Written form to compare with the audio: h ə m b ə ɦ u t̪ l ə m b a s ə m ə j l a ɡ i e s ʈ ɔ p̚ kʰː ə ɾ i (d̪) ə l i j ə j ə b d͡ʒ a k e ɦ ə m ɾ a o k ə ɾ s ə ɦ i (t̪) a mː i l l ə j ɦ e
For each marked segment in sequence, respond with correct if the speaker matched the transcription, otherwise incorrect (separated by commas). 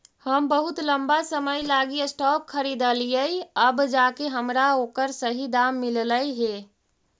correct, incorrect